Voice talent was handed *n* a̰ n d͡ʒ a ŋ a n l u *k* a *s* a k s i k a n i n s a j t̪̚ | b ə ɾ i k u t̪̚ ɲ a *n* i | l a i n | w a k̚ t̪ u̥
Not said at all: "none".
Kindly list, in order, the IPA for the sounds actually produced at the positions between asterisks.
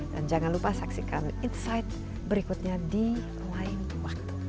d, p, s, d

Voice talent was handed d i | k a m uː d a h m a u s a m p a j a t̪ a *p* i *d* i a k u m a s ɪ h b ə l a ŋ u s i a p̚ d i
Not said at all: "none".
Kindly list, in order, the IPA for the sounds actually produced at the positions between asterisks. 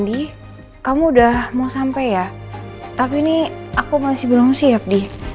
p, n

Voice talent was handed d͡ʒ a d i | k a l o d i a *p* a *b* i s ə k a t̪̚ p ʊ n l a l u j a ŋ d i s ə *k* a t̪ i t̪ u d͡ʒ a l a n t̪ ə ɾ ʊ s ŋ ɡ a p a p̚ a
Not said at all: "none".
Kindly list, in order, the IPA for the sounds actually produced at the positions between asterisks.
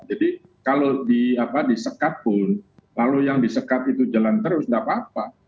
p, d, k

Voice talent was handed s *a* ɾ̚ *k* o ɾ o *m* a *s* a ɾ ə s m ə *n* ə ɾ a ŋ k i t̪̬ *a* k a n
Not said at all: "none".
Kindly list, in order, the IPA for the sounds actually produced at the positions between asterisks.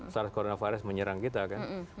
a, k, n, f, ɲ, a

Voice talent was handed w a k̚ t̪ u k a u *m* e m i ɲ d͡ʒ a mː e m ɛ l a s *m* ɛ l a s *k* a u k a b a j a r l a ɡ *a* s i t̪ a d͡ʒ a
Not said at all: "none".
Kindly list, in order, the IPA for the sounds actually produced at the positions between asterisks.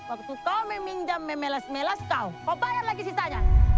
m, m, k, i

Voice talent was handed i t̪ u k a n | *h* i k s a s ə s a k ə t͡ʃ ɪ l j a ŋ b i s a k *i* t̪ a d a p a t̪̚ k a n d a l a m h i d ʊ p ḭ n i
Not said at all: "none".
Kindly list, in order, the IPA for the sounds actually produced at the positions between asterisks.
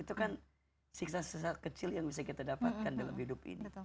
s, i

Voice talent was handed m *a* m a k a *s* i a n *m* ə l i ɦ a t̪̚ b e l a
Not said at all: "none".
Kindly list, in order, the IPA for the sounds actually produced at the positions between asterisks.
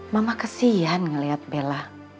a, s, ŋ

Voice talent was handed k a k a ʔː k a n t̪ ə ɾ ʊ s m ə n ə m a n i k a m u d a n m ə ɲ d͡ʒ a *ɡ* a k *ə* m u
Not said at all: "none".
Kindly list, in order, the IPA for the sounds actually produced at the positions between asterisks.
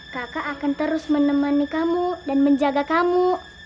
ɡ, a

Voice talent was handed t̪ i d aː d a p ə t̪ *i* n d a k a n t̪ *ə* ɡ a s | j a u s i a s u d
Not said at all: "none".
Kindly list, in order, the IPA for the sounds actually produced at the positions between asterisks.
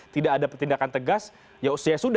i, ə

